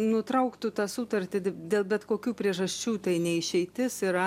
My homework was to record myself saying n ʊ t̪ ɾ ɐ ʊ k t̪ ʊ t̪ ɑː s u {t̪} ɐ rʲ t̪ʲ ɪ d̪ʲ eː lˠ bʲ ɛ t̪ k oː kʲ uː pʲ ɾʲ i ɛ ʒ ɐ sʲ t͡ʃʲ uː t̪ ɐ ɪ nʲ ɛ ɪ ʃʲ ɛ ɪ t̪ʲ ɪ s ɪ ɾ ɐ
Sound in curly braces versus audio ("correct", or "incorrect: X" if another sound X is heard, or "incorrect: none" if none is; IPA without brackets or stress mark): correct